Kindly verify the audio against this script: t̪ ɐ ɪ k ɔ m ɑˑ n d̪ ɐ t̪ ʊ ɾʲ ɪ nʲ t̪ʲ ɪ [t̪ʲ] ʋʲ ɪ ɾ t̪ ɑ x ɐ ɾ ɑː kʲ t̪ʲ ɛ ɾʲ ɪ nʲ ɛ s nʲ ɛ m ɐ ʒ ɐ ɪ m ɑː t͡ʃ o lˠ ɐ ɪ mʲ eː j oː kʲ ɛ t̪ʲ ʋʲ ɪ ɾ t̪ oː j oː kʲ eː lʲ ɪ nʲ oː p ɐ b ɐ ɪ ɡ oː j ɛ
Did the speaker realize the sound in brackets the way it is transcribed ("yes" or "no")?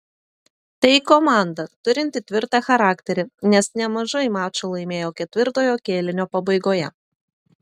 yes